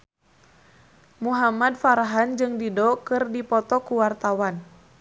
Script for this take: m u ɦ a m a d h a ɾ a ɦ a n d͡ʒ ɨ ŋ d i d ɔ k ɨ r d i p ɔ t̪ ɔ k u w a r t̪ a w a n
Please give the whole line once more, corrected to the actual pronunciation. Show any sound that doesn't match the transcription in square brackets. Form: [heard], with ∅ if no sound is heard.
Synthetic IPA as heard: m u ɦ a m a d [f] a ɾ a ɦ a n d͡ʒ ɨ ŋ d i d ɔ k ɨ r d i p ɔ t̪ ɔ k u w a r t̪ a w a n